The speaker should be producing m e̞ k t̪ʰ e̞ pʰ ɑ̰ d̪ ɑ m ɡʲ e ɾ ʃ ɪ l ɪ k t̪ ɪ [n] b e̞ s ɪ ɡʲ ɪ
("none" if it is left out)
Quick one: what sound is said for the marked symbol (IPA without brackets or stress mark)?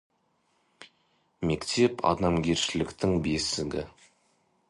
ŋ